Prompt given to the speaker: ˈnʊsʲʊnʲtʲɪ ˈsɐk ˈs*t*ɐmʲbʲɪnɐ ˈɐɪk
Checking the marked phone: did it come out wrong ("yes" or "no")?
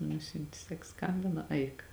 yes